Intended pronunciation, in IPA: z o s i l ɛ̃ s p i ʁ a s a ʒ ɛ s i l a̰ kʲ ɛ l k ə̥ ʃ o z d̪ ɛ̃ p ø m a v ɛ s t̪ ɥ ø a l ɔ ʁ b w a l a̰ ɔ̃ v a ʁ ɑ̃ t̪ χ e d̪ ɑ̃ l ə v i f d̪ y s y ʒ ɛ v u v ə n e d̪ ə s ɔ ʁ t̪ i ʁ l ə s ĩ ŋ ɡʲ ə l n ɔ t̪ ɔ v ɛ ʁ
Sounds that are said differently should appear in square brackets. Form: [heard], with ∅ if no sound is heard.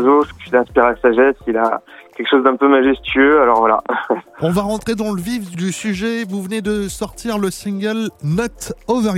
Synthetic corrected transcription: z o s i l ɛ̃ s p i ʁ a s a ʒ ɛ s i l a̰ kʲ ɛ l k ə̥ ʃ o z d̪ ɛ̃ p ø m a [ʒ] ɛ s t̪ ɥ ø a l ɔ ʁ [v] w a l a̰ ɔ̃ v a ʁ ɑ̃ t̪ χ e d̪ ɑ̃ l ə v i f d̪ y s y ʒ ɛ v u v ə n e d̪ ə s ɔ ʁ t̪ i ʁ l ə s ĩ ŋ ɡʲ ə l n ɔ t̪ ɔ v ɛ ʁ